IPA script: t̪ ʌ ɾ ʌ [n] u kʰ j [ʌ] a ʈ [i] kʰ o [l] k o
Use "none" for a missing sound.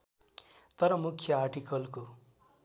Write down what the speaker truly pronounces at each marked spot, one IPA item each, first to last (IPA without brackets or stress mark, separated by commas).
m, ʌ, i, l